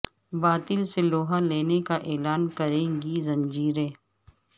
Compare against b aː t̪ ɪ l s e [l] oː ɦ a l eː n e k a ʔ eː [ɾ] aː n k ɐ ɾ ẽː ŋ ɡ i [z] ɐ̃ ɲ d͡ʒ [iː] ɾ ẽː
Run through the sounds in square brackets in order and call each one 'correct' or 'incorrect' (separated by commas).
correct, incorrect, correct, correct